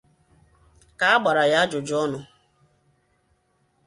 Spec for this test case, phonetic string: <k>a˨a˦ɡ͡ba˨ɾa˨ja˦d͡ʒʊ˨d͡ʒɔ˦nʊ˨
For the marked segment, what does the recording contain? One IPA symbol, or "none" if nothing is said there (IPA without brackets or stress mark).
k